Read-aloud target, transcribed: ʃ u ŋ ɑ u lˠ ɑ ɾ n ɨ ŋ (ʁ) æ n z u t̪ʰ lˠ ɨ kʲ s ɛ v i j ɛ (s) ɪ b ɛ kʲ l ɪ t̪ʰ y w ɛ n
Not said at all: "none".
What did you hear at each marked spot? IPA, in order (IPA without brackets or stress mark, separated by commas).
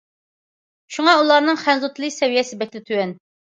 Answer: χ, s